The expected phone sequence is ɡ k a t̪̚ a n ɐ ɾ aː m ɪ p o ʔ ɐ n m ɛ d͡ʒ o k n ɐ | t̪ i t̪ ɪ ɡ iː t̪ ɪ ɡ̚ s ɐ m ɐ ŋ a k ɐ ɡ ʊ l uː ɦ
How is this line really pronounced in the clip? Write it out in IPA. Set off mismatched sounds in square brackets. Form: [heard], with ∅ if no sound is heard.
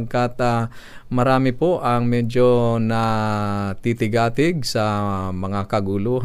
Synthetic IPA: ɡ k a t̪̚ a [m] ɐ ɾ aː m ɪ p o ʔ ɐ [ŋ] m ɛ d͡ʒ o [∅] n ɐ | t̪ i t̪ ɪ ɡ [aː] t̪ ɪ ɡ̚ s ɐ m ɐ ŋ a k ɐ ɡ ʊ l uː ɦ